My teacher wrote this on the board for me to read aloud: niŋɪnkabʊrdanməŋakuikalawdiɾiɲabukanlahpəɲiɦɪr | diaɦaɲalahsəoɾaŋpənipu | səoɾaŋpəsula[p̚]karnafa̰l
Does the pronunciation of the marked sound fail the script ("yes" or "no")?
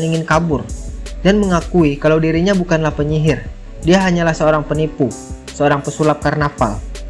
no